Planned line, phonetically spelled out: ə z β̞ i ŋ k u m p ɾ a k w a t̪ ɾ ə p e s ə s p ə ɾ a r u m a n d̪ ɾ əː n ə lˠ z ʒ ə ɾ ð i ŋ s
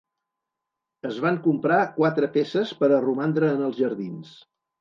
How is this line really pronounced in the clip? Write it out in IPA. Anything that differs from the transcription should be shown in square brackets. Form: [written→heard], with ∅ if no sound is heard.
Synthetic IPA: ə z β̞ [i→a] ŋ k u m p ɾ a k w a t̪ ɾ ə p e s ə s p ə ɾ [a→ə] r u m a n d̪ ɾ əː n ə lˠ z ʒ ə ɾ ð i [ŋ→n] s